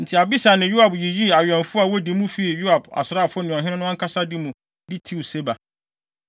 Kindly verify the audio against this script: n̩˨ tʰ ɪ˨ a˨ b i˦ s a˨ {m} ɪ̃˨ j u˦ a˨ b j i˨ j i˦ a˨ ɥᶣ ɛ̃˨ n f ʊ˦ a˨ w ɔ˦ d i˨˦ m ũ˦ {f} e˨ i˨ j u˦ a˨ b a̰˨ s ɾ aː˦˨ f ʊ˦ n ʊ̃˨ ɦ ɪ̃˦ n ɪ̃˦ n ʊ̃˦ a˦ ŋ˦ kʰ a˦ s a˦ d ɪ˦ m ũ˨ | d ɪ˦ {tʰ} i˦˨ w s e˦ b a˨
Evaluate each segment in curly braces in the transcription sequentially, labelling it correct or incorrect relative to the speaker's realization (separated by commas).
incorrect, correct, correct